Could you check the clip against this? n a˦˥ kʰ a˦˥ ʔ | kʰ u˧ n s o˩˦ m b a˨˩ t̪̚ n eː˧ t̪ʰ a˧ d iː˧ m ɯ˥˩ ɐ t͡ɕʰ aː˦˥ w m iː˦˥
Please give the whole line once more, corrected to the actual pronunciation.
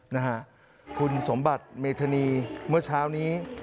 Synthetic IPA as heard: n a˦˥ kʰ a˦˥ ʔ | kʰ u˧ n s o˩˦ m b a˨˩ t̪̚ m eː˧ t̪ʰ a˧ n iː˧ m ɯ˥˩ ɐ t͡ɕʰ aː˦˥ w n iː˦˥